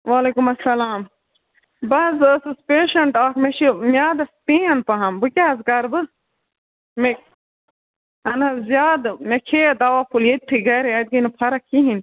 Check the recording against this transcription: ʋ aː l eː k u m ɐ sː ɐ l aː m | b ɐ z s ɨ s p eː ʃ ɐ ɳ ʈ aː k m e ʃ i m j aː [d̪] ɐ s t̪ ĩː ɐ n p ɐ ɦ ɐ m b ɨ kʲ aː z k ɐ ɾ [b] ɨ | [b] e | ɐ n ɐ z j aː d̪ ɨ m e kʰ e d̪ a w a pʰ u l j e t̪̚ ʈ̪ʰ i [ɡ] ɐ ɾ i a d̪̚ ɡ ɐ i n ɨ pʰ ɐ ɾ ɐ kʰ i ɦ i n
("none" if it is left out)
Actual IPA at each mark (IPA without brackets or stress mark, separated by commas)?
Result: d̪, b, m, ɡ